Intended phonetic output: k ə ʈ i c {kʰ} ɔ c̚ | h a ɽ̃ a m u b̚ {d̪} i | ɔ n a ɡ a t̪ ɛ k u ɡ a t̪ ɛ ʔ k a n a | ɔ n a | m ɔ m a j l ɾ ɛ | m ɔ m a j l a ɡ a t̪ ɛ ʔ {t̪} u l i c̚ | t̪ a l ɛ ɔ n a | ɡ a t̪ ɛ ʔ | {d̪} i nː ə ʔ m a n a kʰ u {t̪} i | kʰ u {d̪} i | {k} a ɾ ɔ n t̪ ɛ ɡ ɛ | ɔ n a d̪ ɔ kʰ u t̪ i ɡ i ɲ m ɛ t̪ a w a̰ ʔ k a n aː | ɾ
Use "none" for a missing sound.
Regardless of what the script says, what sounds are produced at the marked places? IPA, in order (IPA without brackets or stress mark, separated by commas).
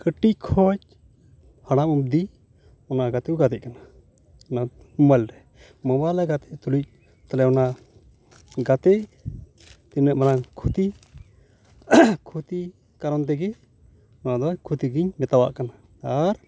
kʰ, d̪, t̪, t̪, t̪, t̪, k